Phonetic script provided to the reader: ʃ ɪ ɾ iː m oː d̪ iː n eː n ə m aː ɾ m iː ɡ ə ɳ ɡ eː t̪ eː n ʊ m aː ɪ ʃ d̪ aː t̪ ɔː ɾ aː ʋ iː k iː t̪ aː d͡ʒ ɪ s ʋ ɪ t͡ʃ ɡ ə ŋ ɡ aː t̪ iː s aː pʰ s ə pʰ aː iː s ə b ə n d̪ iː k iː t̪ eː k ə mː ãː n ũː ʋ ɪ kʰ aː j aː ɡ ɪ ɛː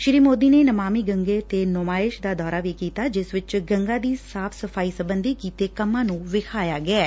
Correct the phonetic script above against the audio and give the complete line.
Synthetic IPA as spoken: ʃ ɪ ɾ iː m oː d̪ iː n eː n ə m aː m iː ɡ ə ŋ ɡ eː t̪ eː n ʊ m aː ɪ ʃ d̪ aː d̪ ɔː ɾ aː ʋ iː k iː t̪ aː d͡ʒ ɪ s ʋ ɪ t͡ʃ ɡ ə ŋ ɡ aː d̪ iː s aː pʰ s ə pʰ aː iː s ə b ə n d̪ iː k iː t̪ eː k ə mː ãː n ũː ʋ ɪ kʰ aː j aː ɡ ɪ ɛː